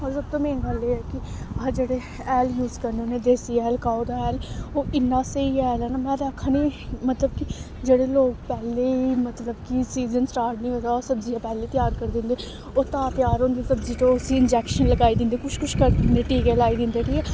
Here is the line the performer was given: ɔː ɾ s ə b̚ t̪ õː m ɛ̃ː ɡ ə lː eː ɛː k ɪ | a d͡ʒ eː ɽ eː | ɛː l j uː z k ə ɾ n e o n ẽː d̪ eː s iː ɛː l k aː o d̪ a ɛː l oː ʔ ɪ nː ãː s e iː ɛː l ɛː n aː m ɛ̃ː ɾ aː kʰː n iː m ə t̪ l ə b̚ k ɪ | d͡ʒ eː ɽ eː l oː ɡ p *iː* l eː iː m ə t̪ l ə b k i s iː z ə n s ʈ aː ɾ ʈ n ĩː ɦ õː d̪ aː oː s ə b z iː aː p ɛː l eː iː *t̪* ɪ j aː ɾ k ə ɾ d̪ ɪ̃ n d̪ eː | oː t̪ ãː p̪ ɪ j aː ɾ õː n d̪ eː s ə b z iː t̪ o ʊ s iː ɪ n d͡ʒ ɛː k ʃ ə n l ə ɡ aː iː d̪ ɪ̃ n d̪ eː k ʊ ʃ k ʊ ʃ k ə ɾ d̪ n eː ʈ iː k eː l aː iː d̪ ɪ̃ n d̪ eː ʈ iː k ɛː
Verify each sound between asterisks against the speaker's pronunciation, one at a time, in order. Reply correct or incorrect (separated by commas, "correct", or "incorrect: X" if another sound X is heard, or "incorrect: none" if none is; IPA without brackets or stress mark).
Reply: incorrect: ɛː, correct